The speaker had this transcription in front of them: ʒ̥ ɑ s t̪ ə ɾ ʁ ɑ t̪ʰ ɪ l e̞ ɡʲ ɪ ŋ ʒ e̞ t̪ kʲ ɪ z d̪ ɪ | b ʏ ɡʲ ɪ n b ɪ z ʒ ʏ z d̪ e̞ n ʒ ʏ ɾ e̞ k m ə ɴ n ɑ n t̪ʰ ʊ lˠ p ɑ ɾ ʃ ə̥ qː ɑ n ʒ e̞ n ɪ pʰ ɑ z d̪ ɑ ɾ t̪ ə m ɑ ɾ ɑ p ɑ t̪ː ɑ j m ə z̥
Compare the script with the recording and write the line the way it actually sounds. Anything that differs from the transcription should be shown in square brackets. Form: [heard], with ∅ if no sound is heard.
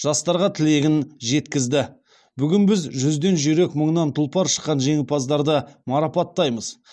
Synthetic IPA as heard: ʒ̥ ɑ s t̪ [ɑ] ɾ ʁ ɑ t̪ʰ ɪ l e̞ ɡʲ ɪ [n] ʒ e̞ t̪ kʲ ɪ z d̪ ɪ | b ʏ ɡʲ ɪ n b ɪ z ʒ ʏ z d̪ e̞ n ʒ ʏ ɾ e̞ k m ə ɴ n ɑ n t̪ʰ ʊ lˠ p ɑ ɾ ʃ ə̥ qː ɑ n ʒ e̞ [ŋ] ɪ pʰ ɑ z d̪ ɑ ɾ [d̪] ə m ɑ ɾ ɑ p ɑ t̪ː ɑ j m ə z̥